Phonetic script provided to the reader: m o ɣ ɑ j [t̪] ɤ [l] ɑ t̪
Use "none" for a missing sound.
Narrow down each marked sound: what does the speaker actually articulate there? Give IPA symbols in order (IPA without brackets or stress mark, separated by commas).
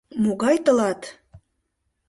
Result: t̪, l